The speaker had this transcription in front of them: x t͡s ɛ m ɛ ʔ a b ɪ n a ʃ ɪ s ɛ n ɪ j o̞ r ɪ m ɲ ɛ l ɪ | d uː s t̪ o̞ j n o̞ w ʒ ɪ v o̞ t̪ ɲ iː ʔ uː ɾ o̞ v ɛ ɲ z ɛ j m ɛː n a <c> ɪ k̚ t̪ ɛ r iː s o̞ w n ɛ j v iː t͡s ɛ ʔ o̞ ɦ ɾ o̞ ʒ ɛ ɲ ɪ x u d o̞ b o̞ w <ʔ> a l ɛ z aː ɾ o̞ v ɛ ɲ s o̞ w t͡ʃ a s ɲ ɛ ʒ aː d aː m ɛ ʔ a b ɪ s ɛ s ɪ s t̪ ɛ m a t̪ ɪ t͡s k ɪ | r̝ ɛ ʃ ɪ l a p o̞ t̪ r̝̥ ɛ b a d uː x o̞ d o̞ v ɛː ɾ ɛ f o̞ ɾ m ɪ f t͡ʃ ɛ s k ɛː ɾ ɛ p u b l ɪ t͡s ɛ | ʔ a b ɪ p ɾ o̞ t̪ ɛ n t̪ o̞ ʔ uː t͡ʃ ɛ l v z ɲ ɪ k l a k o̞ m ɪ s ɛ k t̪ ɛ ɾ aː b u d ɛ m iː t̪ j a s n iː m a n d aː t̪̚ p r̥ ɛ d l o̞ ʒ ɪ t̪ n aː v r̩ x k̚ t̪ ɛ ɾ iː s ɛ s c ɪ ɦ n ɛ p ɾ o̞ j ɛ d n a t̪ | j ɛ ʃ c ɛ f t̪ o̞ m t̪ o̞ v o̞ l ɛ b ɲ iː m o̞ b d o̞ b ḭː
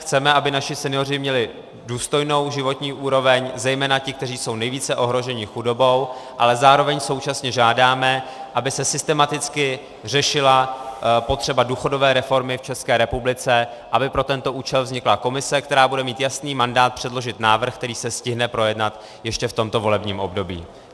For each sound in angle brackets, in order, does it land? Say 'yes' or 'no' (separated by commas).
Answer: yes, yes